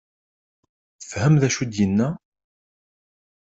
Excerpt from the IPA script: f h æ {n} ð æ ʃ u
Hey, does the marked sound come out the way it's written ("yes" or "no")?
no